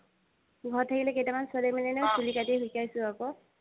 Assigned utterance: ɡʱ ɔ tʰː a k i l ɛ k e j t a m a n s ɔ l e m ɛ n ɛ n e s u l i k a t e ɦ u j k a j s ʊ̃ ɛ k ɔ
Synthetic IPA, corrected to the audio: ɡʱ ɔ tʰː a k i l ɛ k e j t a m a n s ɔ l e m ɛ n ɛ n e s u l i k a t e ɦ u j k a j s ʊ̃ a k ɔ